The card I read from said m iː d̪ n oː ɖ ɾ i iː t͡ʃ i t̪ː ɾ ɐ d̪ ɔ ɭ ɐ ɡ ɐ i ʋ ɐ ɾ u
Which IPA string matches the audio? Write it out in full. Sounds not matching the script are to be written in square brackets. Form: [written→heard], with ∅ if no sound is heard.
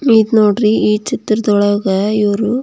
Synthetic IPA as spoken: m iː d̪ n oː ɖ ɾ i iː t͡ʃ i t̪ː ɾ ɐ d̪ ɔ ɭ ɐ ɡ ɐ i ʋ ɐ ɾ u